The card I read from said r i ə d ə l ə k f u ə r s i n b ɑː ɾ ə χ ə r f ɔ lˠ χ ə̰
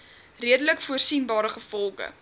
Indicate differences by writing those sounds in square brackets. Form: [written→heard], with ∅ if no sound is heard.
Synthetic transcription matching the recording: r i ə d ə l ə k f u ə r s i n b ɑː ɾ ə χ ə [r→∅] f ɔ lˠ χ ə̰